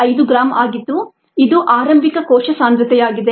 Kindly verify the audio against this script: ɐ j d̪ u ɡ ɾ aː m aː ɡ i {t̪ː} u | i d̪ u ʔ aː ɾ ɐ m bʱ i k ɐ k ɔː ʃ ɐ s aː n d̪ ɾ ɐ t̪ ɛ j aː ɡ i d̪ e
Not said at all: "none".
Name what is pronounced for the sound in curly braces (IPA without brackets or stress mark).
t̪ː